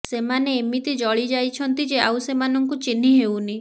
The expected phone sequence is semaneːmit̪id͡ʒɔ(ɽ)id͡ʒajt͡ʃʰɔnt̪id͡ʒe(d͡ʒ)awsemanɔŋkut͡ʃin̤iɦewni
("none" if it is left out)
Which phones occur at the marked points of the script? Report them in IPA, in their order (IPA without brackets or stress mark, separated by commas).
ɭ, none